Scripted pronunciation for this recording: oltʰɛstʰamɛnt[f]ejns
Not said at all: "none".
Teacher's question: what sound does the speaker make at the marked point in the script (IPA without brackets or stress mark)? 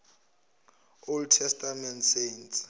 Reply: s